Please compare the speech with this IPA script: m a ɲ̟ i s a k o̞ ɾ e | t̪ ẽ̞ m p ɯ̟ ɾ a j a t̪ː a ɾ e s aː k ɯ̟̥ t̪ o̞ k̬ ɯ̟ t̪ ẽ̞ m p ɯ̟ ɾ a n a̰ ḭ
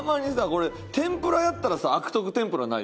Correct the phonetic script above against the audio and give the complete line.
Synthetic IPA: m a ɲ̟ i s a k o̞ ɾ e | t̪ ẽ̞ m p ɯ̟ ɾ a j a t̪ː a ɾ a s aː k ɯ̟̥ t̪ o̞ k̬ ɯ̟ t̪ ẽ̞ m p ɯ̟ ɾ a n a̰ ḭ